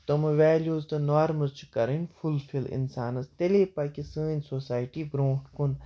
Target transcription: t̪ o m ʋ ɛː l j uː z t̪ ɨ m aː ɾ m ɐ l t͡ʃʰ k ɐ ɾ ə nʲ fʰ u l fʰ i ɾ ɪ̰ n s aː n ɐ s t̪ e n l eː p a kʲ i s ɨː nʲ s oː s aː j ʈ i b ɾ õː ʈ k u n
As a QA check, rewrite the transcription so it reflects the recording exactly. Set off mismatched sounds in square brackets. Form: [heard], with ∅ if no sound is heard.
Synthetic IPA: t̪ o m ʋ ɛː l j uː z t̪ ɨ [n] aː ɾ m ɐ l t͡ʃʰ k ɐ ɾ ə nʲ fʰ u l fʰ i [l] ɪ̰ n s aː n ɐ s t̪ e [∅] l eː p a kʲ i s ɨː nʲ s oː s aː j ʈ i b ɾ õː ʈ k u n